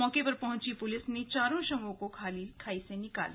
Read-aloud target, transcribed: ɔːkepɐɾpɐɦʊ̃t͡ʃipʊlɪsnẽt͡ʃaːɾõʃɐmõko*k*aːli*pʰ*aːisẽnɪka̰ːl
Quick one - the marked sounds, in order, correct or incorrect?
incorrect: kʰ, incorrect: kʰ

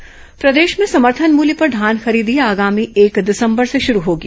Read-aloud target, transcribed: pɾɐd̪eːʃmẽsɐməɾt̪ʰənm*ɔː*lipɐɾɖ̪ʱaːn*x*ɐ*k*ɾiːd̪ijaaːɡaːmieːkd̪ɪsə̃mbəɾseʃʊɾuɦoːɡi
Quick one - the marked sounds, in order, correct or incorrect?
incorrect: uː, correct, incorrect: none

